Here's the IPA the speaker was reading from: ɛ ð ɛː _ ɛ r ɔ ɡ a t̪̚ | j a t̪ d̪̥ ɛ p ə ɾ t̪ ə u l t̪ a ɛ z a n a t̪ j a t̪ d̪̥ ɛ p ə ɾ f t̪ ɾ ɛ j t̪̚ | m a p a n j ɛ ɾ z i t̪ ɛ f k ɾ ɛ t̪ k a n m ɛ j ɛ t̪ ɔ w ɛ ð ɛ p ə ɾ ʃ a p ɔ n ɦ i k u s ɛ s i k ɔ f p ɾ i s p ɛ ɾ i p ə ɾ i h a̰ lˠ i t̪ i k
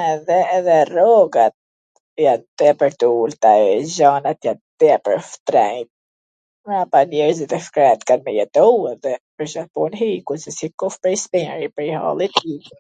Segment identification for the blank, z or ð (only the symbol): ð